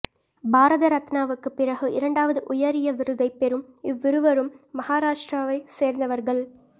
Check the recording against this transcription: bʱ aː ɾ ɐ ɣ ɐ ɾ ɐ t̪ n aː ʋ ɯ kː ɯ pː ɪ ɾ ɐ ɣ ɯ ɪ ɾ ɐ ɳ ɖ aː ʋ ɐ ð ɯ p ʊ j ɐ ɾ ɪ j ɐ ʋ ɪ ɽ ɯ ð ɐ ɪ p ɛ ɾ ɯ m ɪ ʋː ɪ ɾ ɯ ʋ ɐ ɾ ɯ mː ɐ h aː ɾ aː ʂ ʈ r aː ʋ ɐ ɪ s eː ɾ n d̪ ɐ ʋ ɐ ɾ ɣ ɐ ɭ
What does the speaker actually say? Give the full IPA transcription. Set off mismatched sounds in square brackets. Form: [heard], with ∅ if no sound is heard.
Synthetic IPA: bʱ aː ɾ ɐ [ð] ɐ ɾ ɐ t̪ n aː ʋ ɯ kː ɯ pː ɪ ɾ ɐ ɣ ɯ ɪ ɾ ɐ ɳ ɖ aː ʋ ɐ ð ɯ [ʔ] ʊ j ɐ ɾ ɪ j ɐ ʋ ɪ [ɾ] ɯ ð ɐ ɪ p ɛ ɾ ɯ m ɪ ʋː ɪ ɾ ɯ ʋ ɐ ɾ ɯ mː ɐ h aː ɾ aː ʂ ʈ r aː ʋ ɐ ɪ s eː ɾ n d̪ ɐ ʋ ɐ ɾ ɣ ɐ ɭ